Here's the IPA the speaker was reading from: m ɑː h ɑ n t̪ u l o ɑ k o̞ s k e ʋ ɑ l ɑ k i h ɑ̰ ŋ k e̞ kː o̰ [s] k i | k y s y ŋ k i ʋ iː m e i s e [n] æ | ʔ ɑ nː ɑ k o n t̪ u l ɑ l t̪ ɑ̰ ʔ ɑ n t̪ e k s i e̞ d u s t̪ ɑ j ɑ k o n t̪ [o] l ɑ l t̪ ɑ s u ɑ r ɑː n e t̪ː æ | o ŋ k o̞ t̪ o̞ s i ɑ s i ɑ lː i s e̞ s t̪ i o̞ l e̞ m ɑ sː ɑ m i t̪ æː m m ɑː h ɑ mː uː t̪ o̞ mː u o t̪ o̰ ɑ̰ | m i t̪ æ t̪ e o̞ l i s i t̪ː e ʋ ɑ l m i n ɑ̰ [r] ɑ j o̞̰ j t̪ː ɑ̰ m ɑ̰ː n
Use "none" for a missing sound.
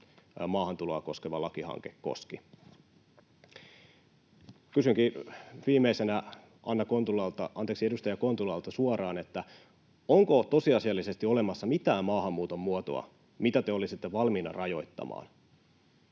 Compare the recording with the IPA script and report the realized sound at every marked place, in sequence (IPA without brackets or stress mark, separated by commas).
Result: s, n, u, r